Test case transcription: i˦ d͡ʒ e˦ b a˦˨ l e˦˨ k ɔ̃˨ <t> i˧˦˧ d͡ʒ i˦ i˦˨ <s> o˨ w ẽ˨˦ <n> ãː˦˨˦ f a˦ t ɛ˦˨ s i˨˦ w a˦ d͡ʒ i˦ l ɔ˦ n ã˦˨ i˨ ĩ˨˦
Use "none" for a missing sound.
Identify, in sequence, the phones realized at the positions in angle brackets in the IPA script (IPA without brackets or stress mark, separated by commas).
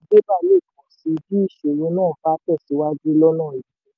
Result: s, ʃ, n